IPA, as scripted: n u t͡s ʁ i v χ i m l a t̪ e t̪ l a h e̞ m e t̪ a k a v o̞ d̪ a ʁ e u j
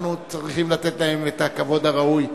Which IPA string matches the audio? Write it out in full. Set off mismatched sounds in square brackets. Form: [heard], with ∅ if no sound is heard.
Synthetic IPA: n u t͡s ʁ i [∅] χ i m l a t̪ e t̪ l a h e̞ m e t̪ a k a v o̞ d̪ a ʁ [a] u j